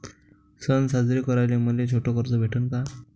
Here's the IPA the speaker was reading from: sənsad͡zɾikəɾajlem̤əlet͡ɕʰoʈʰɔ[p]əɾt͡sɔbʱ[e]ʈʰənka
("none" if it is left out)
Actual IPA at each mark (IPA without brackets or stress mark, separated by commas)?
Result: k, e